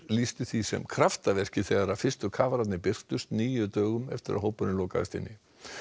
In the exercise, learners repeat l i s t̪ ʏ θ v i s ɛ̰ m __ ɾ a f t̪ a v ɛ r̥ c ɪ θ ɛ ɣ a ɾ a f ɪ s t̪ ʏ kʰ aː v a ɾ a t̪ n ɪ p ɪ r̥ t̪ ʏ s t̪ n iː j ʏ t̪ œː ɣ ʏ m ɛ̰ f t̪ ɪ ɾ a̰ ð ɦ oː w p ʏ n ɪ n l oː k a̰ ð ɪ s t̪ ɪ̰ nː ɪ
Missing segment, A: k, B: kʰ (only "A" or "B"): B